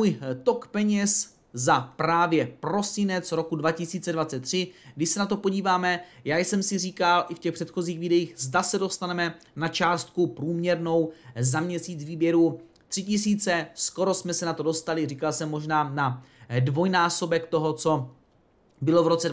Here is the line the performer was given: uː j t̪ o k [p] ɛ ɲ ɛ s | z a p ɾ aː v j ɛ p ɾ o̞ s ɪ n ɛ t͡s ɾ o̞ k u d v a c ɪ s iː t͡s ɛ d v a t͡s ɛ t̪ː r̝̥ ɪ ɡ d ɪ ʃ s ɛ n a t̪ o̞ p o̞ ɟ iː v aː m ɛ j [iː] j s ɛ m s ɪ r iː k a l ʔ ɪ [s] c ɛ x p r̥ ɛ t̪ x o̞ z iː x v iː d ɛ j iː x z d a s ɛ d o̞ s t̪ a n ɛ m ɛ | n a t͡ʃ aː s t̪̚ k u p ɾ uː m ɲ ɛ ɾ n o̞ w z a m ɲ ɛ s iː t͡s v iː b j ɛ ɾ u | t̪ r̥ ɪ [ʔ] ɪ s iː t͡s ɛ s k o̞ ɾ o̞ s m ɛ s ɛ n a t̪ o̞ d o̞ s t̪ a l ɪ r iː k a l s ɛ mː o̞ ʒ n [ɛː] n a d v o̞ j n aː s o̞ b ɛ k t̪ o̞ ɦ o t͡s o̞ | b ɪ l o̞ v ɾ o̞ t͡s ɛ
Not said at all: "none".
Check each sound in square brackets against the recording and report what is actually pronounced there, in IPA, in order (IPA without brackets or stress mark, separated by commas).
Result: p, aː, f, c, aː